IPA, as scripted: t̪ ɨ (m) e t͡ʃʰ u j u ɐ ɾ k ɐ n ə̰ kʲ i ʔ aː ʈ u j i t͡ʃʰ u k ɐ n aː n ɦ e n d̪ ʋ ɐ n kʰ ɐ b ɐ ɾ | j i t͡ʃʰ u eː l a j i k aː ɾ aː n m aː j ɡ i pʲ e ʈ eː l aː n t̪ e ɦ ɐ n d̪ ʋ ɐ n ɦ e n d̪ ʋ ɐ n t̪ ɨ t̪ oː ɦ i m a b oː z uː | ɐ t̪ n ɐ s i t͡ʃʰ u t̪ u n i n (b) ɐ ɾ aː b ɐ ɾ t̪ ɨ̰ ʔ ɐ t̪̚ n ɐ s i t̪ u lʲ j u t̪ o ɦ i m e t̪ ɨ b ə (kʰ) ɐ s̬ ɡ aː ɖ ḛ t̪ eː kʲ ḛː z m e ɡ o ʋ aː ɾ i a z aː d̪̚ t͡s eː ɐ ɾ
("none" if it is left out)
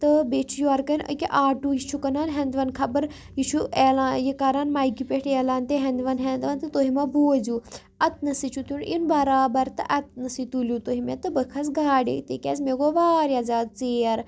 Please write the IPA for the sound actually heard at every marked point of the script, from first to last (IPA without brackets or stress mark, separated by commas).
b, b, kʰ